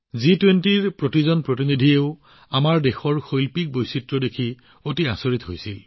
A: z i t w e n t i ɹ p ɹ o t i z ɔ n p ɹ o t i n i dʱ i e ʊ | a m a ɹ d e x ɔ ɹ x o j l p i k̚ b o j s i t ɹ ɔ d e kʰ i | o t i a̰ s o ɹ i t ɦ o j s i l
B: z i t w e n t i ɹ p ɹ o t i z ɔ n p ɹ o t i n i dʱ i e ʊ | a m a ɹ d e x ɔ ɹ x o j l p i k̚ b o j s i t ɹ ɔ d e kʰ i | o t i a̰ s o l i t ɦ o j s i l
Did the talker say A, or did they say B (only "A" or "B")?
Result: A